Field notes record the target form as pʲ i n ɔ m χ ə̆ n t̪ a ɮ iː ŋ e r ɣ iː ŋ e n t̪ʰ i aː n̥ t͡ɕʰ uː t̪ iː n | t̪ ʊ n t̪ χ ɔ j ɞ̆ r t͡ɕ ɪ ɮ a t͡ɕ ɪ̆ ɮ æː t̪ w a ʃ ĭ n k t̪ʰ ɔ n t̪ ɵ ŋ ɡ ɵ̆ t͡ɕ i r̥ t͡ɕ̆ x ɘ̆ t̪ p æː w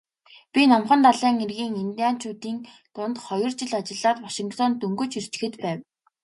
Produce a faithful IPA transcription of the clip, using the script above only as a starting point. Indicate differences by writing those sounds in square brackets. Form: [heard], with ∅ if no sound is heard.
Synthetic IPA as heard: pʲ i n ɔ m χ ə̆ n t̪ a ɮ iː ŋ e r ɣ iː ŋ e n [t̪] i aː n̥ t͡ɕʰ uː t̪ iː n | t̪ ʊ n t̪ χ ɔ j ɞ̆ r t͡ɕ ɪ ɮ a t͡ɕ ɪ̆ ɮ [aː] t̪ w a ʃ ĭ [ŋ] k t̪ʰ ɔ n t̪ ɵ ŋ ɡ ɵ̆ t͡ɕ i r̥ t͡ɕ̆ x ɘ̆ t̪ p æː w